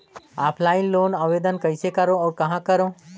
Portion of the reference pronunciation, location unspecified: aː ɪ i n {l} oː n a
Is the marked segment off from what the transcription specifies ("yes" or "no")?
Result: no